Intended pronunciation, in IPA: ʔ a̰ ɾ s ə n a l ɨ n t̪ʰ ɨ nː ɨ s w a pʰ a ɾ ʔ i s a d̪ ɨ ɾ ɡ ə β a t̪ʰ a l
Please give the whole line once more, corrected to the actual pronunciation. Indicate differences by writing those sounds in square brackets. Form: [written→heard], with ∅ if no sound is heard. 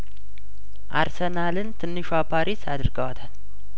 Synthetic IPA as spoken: ʔ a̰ ɾ s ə n a l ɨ n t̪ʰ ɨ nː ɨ [s→ʃ] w a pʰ a ɾ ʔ i s a d̪ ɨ ɾ ɡ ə [β→w] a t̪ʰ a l